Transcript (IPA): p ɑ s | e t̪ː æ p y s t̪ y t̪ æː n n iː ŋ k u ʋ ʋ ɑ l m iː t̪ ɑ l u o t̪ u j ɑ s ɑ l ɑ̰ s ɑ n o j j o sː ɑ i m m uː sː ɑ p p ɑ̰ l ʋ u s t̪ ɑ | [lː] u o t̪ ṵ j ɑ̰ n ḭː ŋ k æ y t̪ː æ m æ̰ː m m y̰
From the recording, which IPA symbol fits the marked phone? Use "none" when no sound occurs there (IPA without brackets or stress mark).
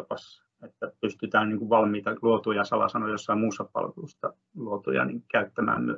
l